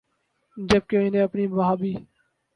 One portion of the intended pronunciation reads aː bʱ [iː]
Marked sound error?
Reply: no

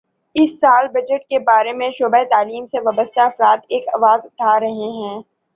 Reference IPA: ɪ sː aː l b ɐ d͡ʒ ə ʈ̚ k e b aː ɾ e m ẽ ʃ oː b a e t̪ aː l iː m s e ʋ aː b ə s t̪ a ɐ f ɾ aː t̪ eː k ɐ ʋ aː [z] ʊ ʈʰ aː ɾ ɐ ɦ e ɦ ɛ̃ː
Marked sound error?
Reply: no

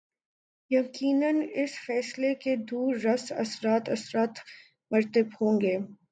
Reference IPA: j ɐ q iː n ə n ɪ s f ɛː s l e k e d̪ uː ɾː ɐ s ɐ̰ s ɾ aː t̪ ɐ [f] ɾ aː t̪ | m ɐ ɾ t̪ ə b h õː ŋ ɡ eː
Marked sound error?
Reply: yes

